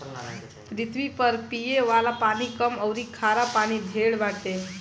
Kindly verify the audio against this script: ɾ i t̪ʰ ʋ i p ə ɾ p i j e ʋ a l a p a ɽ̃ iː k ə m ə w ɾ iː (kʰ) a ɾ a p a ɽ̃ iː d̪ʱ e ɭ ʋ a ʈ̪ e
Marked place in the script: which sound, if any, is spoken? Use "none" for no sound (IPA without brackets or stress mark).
kʰ